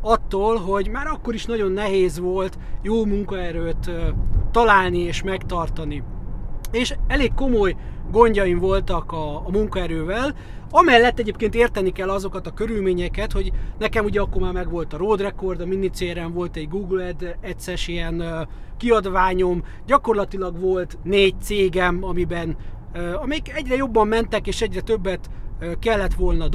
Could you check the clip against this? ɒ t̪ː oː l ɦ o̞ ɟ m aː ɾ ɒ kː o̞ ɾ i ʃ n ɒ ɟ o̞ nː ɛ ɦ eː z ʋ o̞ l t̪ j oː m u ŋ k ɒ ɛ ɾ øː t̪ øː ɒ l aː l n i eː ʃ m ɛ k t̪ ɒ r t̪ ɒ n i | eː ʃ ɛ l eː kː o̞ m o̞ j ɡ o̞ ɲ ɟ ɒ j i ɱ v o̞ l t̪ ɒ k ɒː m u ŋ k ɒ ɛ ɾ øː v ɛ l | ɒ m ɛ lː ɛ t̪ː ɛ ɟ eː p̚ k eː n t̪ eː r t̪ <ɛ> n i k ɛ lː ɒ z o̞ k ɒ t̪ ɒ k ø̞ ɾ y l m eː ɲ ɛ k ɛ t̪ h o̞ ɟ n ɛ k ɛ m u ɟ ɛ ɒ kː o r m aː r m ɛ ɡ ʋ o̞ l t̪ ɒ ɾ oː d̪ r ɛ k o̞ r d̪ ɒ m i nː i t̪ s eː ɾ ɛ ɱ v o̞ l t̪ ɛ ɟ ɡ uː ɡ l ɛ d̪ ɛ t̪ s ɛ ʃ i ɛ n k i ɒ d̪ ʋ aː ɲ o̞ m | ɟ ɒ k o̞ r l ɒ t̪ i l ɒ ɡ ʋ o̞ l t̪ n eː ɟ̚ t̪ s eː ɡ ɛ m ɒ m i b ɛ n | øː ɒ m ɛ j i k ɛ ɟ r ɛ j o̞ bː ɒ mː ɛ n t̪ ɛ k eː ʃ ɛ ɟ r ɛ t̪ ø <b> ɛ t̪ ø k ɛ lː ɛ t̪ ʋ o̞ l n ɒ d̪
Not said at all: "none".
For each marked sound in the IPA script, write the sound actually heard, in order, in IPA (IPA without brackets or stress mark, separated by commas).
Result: ɛ, bː